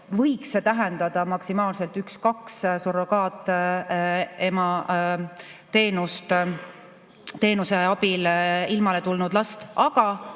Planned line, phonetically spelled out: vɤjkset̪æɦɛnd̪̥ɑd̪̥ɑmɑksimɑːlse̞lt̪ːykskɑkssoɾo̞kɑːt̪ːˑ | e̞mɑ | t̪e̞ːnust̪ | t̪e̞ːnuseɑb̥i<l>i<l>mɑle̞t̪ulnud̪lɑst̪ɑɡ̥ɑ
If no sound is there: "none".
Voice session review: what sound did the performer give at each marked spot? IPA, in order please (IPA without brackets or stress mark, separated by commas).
l, l